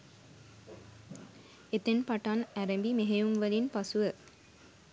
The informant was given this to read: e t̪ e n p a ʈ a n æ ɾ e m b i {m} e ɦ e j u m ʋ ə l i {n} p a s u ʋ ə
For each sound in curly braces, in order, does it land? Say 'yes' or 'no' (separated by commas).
yes, yes